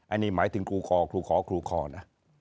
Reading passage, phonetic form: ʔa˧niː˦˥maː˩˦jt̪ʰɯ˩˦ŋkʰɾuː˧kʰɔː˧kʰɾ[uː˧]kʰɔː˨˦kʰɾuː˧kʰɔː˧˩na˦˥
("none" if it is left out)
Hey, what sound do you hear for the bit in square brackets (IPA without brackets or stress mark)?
uː˧